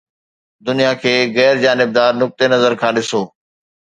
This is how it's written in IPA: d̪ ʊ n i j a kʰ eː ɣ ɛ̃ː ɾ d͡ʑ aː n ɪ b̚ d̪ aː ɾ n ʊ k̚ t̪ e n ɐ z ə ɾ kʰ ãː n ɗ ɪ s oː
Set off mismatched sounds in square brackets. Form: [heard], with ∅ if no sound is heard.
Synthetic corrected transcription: d̪ ʊ n i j a kʰ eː ɣ [ɛː] ɾ d͡ʑ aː n ɪ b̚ d̪ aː ɾ n ʊ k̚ t̪ e n ɐ z ə ɾ kʰ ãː [∅] ɗ ɪ s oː